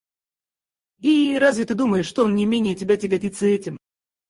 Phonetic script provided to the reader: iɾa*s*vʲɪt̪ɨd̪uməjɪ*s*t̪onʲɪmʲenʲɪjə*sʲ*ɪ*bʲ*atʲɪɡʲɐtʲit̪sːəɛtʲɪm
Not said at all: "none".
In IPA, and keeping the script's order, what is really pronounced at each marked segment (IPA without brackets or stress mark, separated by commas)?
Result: z, ʂ, tʲ, bʲ